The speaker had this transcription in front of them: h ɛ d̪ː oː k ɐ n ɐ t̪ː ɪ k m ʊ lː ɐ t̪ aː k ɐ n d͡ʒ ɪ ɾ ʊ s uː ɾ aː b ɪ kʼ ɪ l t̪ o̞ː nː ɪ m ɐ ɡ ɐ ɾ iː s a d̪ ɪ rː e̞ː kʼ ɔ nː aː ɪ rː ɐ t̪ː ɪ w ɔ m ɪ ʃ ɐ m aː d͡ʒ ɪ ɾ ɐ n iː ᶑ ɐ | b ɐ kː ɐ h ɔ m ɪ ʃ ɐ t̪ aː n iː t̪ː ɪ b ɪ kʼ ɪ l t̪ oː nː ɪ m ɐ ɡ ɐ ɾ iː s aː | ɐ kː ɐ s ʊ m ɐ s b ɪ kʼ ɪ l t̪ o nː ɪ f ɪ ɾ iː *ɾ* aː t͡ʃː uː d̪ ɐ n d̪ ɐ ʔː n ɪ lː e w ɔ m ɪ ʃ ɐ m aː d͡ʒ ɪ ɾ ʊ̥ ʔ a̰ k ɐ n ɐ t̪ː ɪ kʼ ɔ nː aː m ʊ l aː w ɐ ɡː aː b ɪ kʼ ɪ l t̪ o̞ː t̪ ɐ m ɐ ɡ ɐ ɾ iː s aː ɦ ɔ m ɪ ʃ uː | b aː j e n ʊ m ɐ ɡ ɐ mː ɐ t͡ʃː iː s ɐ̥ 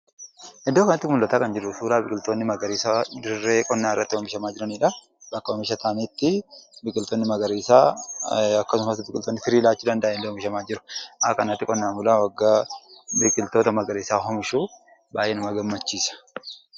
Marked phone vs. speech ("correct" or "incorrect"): incorrect